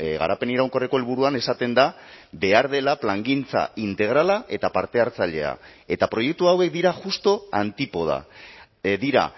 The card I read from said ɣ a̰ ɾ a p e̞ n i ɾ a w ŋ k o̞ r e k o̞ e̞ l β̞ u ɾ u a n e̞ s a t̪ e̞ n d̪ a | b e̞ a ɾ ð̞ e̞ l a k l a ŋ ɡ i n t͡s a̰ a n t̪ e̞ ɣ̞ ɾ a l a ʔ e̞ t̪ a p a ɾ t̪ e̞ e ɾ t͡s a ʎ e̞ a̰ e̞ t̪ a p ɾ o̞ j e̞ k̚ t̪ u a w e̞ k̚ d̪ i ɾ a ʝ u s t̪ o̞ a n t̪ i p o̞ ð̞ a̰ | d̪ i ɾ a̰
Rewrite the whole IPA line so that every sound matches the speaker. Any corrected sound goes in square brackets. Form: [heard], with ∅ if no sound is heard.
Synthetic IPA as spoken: ɣ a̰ ɾ a p e̞ n i ɾ a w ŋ k o̞ r e k o̞ e̞ l β̞ u ɾ u a n e̞ s a t̪ e̞ n d̪ a | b e̞ a ɾ ð̞ e̞ l a [p] l a ŋ ɡ i n t͡s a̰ [i] n t̪ e̞ ɣ̞ ɾ a l a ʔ e̞ t̪ a p a ɾ t̪ e̞ [a] ɾ t͡s a ʎ e̞ a̰ e̞ t̪ a p ɾ o̞ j e̞ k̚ t̪ u a w e̞ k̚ d̪ i ɾ a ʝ u s t̪ o̞ a n t̪ i p o̞ ð̞ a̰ | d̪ i ɾ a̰